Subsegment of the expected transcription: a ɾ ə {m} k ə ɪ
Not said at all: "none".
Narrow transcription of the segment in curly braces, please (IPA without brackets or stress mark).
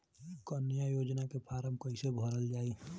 m